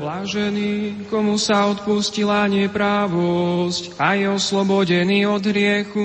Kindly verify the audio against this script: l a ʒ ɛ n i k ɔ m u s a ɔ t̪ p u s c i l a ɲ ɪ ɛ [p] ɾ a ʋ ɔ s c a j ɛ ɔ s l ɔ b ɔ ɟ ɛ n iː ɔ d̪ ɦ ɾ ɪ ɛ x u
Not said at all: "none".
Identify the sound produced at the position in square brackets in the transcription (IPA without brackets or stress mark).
p